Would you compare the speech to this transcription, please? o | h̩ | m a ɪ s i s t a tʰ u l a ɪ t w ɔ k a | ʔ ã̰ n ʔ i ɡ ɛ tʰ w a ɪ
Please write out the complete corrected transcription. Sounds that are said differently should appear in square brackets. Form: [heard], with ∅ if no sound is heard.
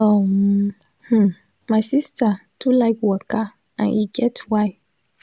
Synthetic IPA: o | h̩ | m a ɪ s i s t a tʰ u l a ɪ [k] w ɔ k a | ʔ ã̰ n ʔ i ɡ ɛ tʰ w a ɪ